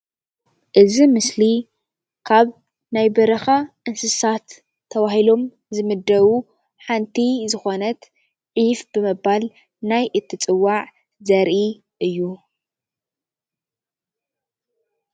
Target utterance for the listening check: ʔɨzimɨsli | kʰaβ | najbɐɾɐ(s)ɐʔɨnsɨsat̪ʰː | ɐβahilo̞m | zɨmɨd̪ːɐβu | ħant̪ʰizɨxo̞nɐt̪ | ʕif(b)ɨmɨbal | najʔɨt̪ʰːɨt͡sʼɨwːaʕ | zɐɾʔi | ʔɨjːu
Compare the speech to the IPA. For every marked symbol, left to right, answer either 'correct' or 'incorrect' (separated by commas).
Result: incorrect, correct